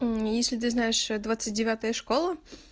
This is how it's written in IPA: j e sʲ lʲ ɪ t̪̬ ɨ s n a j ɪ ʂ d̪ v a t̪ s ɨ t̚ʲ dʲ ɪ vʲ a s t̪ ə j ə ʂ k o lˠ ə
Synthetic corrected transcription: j e sʲ lʲ ɪ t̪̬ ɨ z n a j ɪ ʂ d̪ v a t̪ s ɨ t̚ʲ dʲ ɪ vʲ a t̪ ə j ə ʂ k o lˠ ə